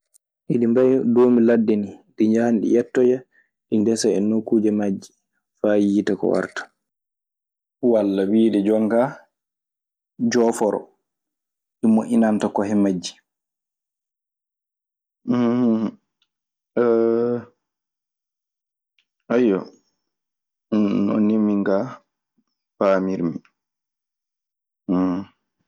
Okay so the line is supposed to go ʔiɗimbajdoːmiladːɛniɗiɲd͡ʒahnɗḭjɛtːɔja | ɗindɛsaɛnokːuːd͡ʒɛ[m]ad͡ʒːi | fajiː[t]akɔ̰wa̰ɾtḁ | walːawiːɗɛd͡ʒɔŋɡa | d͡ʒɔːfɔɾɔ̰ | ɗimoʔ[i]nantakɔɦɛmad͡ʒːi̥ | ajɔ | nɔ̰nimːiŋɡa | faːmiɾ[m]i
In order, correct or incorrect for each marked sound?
correct, correct, correct, correct

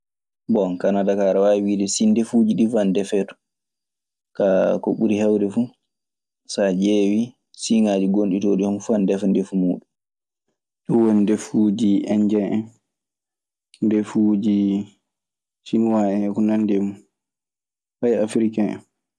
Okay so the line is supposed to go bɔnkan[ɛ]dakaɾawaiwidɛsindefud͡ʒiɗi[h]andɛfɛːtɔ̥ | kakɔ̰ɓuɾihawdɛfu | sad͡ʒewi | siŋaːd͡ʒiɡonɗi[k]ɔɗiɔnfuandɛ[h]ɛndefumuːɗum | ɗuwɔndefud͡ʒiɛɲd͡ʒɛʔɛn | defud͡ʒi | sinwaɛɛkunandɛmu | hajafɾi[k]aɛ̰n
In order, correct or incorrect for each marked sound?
incorrect: a, incorrect: f, incorrect: t, incorrect: f, correct

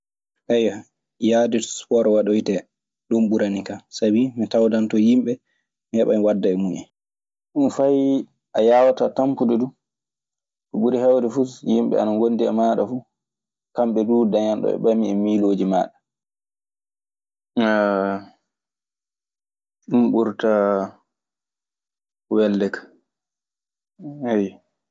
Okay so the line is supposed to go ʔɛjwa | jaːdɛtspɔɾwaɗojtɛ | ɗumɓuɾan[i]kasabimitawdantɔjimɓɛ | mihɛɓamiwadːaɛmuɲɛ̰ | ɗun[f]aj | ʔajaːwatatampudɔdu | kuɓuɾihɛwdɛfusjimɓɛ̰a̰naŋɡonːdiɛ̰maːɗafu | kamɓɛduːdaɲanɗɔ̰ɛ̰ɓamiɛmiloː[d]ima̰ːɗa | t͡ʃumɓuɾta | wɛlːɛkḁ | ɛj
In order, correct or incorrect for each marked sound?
correct, correct, incorrect: d͡ʒ

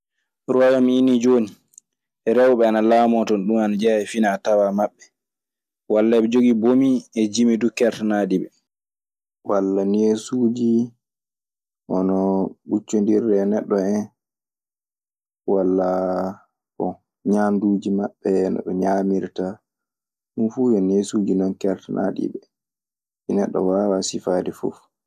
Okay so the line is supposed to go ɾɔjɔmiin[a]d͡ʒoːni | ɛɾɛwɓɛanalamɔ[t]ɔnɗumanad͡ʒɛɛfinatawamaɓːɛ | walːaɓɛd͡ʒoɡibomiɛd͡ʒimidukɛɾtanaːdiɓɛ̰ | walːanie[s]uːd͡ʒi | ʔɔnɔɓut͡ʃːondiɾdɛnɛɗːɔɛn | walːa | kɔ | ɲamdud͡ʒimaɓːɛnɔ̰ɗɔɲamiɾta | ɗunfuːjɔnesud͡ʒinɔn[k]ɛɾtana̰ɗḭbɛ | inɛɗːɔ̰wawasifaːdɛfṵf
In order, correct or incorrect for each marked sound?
incorrect: i, correct, correct, correct

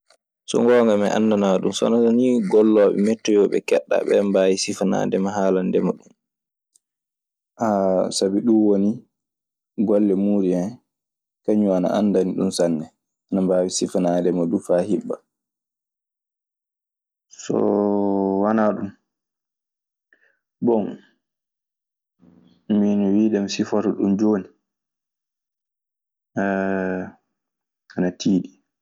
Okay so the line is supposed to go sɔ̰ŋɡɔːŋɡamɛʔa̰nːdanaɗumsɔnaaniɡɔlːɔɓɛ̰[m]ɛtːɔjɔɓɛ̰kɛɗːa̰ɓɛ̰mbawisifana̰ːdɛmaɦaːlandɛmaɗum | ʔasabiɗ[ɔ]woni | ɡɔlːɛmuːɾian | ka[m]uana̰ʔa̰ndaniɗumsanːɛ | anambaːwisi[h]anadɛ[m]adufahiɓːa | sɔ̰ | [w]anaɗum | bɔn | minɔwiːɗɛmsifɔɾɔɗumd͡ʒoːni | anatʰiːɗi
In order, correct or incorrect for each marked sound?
correct, incorrect: u, incorrect: ɲ, incorrect: f, correct, correct

